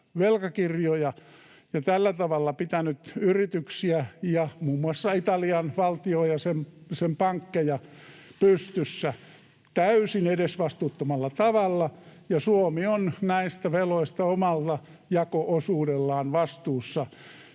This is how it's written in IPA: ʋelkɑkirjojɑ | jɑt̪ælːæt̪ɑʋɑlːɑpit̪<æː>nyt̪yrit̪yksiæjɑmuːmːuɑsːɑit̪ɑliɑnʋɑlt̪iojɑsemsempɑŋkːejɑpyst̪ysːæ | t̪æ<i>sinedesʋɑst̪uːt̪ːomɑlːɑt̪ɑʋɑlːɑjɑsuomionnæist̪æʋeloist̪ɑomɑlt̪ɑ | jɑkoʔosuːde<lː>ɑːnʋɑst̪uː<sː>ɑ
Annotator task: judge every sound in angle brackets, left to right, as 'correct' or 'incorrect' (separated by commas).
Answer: incorrect, incorrect, correct, correct